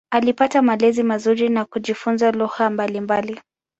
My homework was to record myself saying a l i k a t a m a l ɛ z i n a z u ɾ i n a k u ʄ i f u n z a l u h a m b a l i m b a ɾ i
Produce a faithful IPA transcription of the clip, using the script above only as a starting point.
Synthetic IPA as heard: a l i p a t a m a l ɛ z i m a z u ɾ i n a k u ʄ i f u n z a l u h a m b a l i m b a l i